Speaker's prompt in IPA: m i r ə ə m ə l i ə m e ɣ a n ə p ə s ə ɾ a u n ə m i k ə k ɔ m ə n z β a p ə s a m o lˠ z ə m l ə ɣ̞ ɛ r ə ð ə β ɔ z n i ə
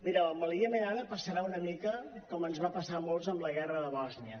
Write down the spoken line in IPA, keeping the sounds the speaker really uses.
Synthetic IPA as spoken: m i ɾ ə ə m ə l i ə m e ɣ a n ə p ə s ə ɾ a u n ə m i k ə k ɔ m ə n z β a p ə s a m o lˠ z ə m l ə ɣ̞ ɛ r ə ð ə β ɔ z n i ə